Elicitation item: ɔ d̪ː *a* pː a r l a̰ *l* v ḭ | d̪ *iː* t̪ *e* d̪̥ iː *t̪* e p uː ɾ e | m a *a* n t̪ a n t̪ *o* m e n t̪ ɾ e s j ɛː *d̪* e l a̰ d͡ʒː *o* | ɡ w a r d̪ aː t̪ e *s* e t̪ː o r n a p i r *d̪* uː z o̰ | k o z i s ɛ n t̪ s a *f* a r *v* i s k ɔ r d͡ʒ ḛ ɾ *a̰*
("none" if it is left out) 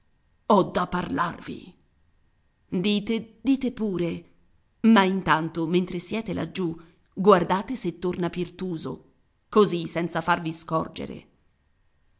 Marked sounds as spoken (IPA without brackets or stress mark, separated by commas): a, r, iː, e, t̪, i, o, t̪, u, s, t̪, f, v, ḛ